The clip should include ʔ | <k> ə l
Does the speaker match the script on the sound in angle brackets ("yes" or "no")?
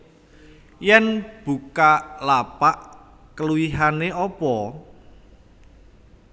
yes